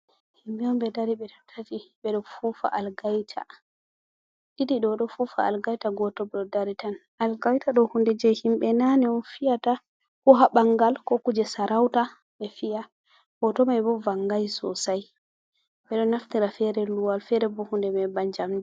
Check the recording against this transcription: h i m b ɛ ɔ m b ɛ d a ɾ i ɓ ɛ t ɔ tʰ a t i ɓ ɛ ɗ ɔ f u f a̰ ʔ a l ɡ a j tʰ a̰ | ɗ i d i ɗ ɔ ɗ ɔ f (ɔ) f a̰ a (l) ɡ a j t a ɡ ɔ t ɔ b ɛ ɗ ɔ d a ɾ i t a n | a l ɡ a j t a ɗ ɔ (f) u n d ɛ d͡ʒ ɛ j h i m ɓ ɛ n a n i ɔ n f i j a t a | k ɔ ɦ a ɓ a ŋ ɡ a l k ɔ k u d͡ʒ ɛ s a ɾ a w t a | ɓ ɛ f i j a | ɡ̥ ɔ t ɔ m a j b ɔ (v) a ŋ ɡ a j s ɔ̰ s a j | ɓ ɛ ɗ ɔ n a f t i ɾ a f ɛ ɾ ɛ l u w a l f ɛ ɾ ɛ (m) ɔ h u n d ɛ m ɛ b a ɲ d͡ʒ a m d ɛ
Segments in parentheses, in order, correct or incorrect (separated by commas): incorrect, correct, incorrect, correct, incorrect